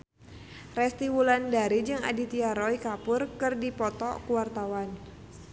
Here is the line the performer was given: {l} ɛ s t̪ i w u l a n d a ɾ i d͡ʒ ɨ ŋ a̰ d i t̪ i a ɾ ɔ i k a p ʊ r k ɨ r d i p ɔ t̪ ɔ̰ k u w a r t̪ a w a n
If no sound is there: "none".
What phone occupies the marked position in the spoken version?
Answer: r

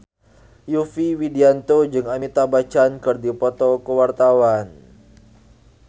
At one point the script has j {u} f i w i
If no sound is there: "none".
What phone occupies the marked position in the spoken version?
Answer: u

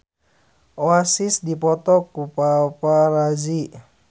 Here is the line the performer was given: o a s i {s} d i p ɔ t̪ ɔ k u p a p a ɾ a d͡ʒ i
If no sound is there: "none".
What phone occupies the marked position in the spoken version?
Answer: s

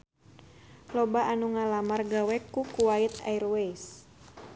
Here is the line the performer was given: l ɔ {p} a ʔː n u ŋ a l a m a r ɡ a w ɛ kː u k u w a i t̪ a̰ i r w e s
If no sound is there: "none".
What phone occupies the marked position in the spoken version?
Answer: b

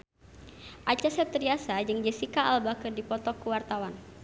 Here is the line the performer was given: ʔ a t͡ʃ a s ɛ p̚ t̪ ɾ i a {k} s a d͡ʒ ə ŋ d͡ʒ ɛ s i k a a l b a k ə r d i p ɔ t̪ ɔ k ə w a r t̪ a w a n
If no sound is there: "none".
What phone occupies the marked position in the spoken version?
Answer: none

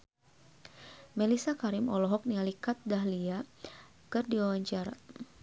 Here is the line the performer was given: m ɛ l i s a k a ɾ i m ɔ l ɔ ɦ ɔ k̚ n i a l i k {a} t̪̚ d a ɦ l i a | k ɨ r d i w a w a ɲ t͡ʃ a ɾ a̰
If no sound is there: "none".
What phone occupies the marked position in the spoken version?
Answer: a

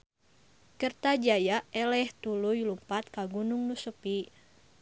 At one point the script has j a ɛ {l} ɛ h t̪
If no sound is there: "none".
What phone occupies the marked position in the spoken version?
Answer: l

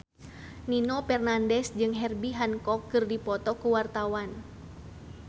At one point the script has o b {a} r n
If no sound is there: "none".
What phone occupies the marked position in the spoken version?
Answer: ɛ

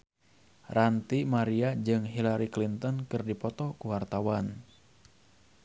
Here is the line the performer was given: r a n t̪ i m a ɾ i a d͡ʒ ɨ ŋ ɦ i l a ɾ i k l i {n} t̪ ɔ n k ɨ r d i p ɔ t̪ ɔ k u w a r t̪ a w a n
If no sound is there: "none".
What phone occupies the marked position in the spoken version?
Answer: n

